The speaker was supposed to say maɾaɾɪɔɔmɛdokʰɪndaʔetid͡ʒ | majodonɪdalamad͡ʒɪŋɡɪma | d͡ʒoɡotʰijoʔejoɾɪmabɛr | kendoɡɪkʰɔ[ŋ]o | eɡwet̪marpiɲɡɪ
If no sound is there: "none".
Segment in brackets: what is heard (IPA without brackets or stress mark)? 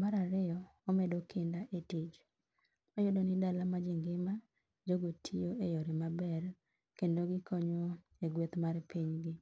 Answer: ɲ